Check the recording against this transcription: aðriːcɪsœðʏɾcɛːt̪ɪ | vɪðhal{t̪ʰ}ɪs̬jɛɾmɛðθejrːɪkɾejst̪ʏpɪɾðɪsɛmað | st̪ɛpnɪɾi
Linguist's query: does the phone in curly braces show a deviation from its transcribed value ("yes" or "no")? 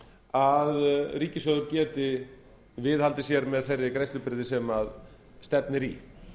yes